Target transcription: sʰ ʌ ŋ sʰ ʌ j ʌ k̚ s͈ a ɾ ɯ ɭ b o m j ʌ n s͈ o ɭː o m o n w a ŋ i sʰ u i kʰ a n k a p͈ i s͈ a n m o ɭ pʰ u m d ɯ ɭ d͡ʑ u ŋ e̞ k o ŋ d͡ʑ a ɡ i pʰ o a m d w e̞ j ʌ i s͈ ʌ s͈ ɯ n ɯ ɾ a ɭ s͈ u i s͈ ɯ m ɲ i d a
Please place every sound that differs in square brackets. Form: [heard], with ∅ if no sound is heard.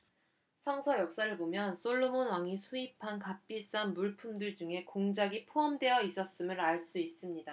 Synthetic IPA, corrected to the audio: sʰ ʌ ŋ sʰ ʌ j ʌ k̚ s͈ a ɾ ɯ ɭ b o m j ʌ n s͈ o ɭː o m o n w a ŋ i sʰ u i [pʰ] a n k a p͈ i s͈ a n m [u] ɭ pʰ u m d ɯ ɭ d͡ʑ u ŋ e̞ k o ŋ d͡ʑ a ɡ i pʰ o [ʌ] m d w e̞ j ʌ i s͈ ʌ s͈ ɯ [m] ɯ ɾ a ɭ s͈ u i s͈ ɯ m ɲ i d a

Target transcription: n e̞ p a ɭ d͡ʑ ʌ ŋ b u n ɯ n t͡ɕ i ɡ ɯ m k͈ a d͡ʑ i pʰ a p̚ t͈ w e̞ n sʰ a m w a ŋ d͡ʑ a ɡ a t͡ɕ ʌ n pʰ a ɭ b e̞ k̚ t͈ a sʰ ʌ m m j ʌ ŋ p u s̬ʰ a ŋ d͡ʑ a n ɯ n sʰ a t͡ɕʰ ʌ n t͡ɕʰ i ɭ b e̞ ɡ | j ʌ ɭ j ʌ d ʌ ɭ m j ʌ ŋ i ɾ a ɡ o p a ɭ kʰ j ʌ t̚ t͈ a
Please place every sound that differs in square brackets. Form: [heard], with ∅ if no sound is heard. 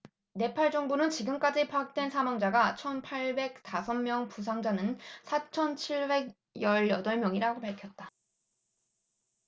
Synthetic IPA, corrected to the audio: n e̞ [pʰ] a ɭ d͡ʑ ʌ ŋ b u n ɯ n t͡ɕ i ɡ ɯ m k͈ a d͡ʑ i pʰ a [k̚] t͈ w e̞ n sʰ a m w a ŋ d͡ʑ a ɡ a [t͡ɕʰ] ʌ n pʰ a ɭ b e̞ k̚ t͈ a sʰ ʌ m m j ʌ ŋ p u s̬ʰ a ŋ d͡ʑ a n ɯ n sʰ a t͡ɕʰ ʌ n t͡ɕʰ i ɭ b e̞ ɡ | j ʌ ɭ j ʌ d ʌ ɭ m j ʌ ŋ i ɾ a ɡ o p a ɭ kʰ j ʌ t̚ t͈ a

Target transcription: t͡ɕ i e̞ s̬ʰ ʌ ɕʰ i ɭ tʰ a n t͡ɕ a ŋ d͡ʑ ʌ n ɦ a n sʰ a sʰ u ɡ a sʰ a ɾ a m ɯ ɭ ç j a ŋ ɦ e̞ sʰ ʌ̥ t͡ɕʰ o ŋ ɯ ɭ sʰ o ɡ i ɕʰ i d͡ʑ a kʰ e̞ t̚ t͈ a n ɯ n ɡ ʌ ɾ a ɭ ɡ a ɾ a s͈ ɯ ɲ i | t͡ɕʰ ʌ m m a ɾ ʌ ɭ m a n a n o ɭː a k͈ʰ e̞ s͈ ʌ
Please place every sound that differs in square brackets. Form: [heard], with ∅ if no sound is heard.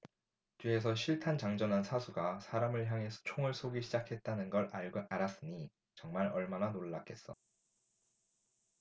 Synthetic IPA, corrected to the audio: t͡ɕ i e̞ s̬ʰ ʌ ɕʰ i ɭ tʰ a n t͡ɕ a ŋ d͡ʑ ʌ n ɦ a n sʰ a sʰ u ɡ a sʰ a ɾ a m ɯ ɭ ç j a ŋ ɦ e̞ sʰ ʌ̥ t͡ɕʰ o ŋ ɯ ɭ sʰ o ɡ i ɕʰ i d͡ʑ a kʰ e̞ t̚ t͈ a n ɯ n ɡ ʌ ɾ a ɭ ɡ a ɾ a s͈ ɯ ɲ i | [t͡ɕ] ʌ [ŋ] m a ɾ ʌ ɭ m a n a n o ɭː a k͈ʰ e̞ s͈ ʌ

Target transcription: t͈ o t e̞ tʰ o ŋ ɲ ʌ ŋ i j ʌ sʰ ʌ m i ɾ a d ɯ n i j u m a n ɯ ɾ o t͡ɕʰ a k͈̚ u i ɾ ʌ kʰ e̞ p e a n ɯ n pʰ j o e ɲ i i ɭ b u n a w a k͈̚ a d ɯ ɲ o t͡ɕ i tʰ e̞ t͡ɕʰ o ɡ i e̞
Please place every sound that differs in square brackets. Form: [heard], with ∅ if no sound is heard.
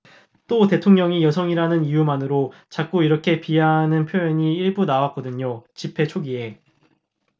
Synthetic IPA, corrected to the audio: t͈ o t e̞ tʰ o ŋ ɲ ʌ ŋ i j ʌ sʰ ʌ [ŋ] i ɾ a [n] ɯ n i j u m a n ɯ ɾ o [t͡ɕ] a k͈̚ u i ɾ ʌ kʰ e̞ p [i] a n ɯ n pʰ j o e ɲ i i ɭ b u n a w a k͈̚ [ʌ] d ɯ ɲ o t͡ɕ i [pʰ] e̞ t͡ɕʰ o ɡ i e̞

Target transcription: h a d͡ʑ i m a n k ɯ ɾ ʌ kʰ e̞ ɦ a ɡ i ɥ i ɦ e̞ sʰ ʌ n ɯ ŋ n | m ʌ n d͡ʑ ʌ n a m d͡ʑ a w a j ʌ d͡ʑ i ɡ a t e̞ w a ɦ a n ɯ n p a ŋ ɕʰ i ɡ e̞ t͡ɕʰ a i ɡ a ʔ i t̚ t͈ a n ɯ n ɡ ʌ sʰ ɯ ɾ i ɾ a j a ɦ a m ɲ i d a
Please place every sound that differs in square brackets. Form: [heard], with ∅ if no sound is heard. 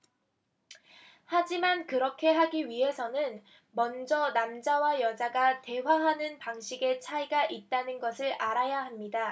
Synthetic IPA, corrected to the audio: h a d͡ʑ i m a n k ɯ ɾ ʌ kʰ e̞ ɦ a ɡ i ɥ i ɦ e̞ sʰ ʌ n ɯ [∅] n | m ʌ n d͡ʑ ʌ n a m d͡ʑ a w a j ʌ d͡ʑ [a] ɡ a t e̞ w a ɦ a n ɯ n p a ŋ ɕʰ i ɡ e̞ t͡ɕʰ a i ɡ a ʔ i t̚ t͈ a n ɯ n ɡ ʌ sʰ ɯ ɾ [a] ɾ a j a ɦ a m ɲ i d a

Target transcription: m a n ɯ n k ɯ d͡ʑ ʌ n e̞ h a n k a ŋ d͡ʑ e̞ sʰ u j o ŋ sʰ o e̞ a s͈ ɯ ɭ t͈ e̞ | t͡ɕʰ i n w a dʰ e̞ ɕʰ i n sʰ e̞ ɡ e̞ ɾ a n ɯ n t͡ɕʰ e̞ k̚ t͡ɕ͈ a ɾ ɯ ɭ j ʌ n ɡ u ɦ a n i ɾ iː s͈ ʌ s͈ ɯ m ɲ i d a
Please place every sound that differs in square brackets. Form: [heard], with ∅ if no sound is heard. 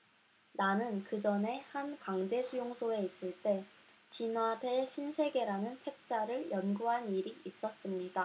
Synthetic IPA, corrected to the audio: [n] a n ɯ n k ɯ d͡ʑ ʌ n e̞ h a n k a ŋ d͡ʑ e̞ sʰ u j o ŋ sʰ o e̞ [i] s͈ ɯ ɭ t͈ e̞ | [t͡ɕ] i n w a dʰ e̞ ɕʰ i n sʰ e̞ ɡ e̞ ɾ a n ɯ n t͡ɕʰ e̞ k̚ t͡ɕ͈ a ɾ ɯ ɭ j ʌ n ɡ u ɦ a n i ɾ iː s͈ ʌ s͈ ɯ m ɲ i d a

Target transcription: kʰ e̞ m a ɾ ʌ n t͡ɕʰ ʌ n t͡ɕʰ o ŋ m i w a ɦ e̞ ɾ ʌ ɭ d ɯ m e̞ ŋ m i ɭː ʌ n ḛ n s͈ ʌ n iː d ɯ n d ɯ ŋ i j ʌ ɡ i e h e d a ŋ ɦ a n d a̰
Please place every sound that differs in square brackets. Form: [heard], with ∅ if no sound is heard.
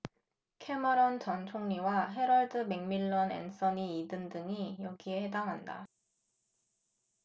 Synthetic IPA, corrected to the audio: kʰ e̞ m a ɾ ʌ n [t͡ɕ] ʌ n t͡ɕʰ o ŋ [ɲ] i w a ɦ e̞ ɾ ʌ ɭ d ɯ m e̞ ŋ m i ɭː ʌ n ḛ n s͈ ʌ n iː d ɯ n d ɯ ŋ i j ʌ ɡ i e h e d a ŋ ɦ a n d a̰

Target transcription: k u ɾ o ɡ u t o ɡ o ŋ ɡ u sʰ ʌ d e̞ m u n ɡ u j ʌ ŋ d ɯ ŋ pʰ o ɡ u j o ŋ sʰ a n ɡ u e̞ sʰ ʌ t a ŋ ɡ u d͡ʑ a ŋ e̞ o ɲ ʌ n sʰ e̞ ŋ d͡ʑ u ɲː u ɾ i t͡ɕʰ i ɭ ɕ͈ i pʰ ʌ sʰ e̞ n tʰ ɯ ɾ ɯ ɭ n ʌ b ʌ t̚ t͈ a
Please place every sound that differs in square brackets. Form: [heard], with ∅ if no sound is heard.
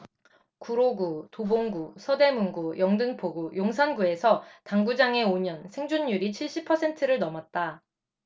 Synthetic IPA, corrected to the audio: k u ɾ o ɡ u t o [b] o ŋ ɡ u sʰ ʌ d e̞ m u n ɡ u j ʌ ŋ d ɯ ŋ pʰ o ɡ u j o ŋ sʰ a n ɡ u e̞ sʰ ʌ t a ŋ ɡ u d͡ʑ a ŋ e̞ o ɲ ʌ n sʰ e̞ ŋ d͡ʑ u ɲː u ɾ i t͡ɕʰ i ɭ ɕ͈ i pʰ ʌ sʰ e̞ n tʰ ɯ ɾ ɯ ɭ n ʌ [m] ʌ t̚ t͈ a

